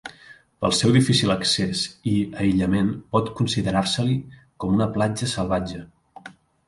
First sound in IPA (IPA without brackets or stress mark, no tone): p